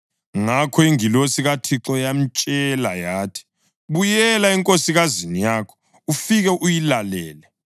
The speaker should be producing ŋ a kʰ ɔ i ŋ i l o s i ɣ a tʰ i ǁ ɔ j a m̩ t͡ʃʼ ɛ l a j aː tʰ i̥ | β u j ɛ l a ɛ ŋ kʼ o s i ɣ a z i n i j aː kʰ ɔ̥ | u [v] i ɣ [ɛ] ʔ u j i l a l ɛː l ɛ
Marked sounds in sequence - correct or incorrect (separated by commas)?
incorrect, correct